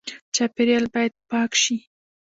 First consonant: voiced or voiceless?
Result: voiceless